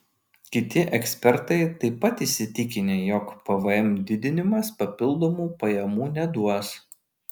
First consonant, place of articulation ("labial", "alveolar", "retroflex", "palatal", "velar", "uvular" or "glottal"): velar